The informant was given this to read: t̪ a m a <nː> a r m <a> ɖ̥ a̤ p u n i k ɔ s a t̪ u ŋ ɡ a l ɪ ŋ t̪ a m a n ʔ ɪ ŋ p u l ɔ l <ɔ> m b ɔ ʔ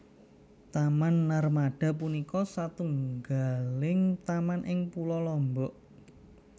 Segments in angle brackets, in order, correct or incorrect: correct, correct, correct

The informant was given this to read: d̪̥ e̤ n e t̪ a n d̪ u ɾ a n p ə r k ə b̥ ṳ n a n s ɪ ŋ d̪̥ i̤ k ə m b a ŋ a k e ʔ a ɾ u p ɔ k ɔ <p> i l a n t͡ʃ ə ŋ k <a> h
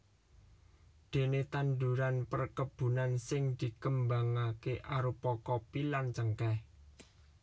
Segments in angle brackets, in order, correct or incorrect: correct, incorrect

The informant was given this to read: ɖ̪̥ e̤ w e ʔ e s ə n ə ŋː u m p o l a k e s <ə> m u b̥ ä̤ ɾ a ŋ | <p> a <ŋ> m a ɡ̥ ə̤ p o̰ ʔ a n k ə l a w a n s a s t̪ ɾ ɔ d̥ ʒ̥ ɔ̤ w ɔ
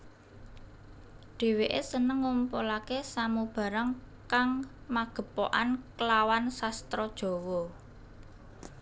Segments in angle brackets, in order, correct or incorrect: incorrect, incorrect, correct

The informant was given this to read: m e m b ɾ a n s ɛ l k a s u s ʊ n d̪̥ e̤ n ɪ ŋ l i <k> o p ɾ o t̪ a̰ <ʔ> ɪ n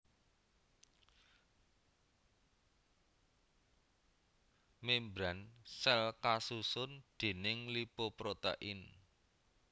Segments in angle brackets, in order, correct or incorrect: incorrect, correct

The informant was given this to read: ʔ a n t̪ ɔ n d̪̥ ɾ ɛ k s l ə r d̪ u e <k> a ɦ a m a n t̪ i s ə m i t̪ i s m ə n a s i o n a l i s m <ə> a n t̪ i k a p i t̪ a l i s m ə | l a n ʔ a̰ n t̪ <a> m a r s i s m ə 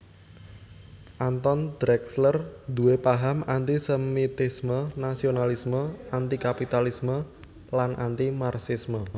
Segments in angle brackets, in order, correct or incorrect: incorrect, correct, incorrect

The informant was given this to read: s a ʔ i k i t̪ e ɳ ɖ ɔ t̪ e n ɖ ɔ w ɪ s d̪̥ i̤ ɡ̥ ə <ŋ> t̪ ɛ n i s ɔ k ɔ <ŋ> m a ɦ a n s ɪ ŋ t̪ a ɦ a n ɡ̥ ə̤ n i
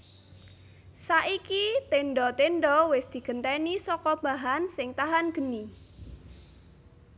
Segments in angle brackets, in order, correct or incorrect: incorrect, incorrect

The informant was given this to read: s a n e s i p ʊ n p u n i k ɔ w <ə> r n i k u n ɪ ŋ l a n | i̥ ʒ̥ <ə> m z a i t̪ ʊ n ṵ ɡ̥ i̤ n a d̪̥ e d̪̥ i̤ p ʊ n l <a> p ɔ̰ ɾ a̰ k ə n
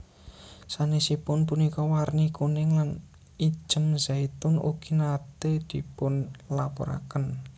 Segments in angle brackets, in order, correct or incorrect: incorrect, correct, correct

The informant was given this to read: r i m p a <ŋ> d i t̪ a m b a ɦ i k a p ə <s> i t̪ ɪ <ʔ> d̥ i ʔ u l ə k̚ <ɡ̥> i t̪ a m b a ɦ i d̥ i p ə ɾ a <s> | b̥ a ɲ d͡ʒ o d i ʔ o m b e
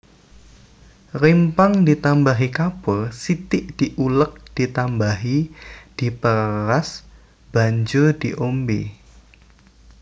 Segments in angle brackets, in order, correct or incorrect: correct, correct, correct, incorrect, correct

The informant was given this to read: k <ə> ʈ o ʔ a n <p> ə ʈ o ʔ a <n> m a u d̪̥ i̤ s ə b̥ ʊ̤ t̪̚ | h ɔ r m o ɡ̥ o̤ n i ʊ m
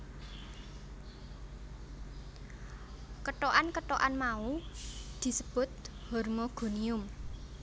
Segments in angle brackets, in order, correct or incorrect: correct, incorrect, correct

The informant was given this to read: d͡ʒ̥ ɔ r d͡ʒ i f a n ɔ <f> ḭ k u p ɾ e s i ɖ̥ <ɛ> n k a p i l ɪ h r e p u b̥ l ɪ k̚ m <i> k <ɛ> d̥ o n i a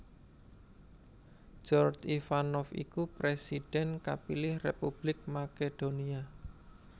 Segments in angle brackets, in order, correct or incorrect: correct, correct, incorrect, incorrect

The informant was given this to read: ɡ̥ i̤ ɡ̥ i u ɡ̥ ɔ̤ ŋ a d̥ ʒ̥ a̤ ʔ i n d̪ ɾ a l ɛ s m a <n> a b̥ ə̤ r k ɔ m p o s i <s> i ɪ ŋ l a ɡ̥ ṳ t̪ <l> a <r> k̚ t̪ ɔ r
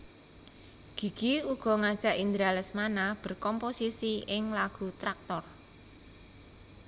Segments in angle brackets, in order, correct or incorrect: correct, correct, incorrect, incorrect

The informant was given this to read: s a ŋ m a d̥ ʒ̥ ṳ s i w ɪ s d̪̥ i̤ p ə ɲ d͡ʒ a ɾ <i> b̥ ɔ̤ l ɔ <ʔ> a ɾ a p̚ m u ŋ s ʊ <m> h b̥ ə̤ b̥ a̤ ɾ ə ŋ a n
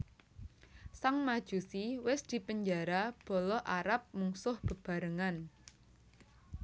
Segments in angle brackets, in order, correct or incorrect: incorrect, correct, incorrect

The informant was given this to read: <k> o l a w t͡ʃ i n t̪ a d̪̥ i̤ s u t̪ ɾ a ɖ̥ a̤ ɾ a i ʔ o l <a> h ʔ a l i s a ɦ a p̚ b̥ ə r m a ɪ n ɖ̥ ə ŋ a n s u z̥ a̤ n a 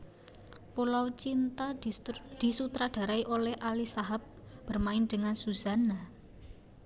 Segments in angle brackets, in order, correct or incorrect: incorrect, incorrect

